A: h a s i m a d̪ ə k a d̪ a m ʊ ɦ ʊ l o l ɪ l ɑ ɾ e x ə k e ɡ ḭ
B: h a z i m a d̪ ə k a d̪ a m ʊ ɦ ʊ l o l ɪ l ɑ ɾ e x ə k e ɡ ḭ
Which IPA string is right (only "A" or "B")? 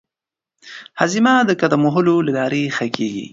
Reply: B